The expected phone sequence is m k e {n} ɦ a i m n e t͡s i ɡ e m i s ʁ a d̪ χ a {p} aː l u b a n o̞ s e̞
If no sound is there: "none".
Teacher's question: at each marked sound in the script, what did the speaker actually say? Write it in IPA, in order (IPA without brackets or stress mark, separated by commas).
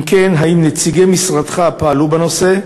n, p